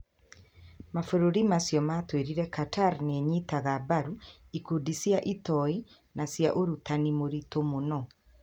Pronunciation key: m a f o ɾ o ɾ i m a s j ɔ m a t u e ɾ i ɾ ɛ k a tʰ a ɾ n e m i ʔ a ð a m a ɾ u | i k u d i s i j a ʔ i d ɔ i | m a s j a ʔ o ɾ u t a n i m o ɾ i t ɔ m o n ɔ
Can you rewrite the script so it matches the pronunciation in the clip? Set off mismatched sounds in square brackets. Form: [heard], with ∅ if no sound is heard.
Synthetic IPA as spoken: m a f o ɾ o ɾ i m a s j ɔ m a t [w] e ɾ i ɾ ɛ k a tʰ a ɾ n e [ɲ] i [t] a [ɣ] a [b] a ɾ u | i k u d i s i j a ʔ i [t] ɔ i | [n] a s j a ʔ o ɾ u t a n i m o ɾ i t [o] m o n ɔ